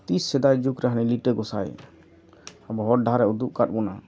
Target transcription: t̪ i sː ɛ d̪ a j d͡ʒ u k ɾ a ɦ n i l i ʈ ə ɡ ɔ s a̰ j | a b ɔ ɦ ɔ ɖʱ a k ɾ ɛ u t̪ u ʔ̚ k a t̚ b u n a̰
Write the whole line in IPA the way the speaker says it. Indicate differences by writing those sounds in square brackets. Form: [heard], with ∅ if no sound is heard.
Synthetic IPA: t̪ i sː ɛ d̪ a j d͡ʒ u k ɾ a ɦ n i l i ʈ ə ɡ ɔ s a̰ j | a b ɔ ɦ ɔ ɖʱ a [∅] ɾ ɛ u [d̪] u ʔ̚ k a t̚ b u n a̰